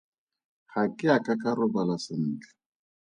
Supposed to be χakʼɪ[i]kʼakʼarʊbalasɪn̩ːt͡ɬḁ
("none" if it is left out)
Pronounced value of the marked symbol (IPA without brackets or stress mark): a